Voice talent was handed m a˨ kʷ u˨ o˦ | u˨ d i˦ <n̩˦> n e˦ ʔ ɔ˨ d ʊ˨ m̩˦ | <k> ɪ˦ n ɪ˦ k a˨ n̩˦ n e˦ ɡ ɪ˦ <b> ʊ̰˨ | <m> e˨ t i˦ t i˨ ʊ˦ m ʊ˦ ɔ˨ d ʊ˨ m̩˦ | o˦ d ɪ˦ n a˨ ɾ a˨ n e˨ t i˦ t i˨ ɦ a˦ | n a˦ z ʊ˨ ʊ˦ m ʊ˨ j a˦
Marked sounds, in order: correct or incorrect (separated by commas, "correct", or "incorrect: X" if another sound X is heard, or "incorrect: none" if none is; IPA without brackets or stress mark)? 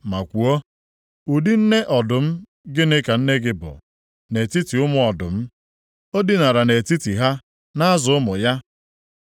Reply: correct, incorrect: ɡ, correct, incorrect: n